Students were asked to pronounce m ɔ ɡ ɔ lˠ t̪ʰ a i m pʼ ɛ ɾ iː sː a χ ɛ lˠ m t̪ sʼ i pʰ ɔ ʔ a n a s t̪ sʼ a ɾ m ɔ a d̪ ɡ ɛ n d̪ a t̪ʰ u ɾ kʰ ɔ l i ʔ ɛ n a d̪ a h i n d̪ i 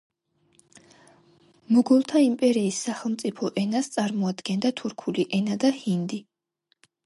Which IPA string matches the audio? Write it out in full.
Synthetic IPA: m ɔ ɡ ɔ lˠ t̪ʰ a i m pʼ ɛ ɾ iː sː a χ ɛ lˠ m t̪ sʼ i pʰ ɔ ʔ ɛ n a s t̪ sʼ a ɾ m ɔ a d̪ ɡ ɛ n d̪ a t̪ʰ u ɾ kʰ u l i ʔ ɛ n a d̪ a h i n d̪ i